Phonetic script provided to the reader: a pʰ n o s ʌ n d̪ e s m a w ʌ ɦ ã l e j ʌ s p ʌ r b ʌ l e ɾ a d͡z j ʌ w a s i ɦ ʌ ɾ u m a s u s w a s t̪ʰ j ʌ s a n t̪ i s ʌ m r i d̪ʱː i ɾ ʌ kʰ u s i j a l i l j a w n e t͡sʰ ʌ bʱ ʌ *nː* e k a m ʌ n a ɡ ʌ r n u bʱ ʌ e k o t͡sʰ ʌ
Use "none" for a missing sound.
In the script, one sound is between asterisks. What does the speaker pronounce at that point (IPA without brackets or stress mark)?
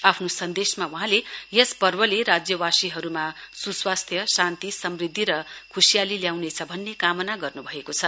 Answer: nː